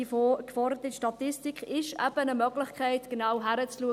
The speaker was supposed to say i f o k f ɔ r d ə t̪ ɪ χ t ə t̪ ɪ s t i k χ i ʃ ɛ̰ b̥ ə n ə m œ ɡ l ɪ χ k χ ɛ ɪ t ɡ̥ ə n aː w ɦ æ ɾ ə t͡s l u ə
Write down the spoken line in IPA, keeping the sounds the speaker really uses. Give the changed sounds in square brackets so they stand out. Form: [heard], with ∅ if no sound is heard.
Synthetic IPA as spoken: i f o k f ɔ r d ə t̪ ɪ [ʃ] t [ɑ] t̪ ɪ s t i k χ [ɪ] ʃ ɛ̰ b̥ ə n ə m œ ɡ l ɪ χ k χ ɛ ɪ t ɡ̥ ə n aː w ɦ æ ɾ ə t͡s l u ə